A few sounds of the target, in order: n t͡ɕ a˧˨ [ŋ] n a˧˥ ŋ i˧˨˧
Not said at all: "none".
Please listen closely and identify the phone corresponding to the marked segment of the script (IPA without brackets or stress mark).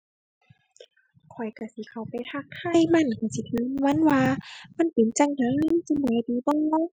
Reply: ŋ